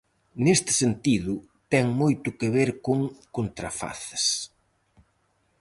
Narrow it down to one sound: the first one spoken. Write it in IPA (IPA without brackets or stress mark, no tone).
n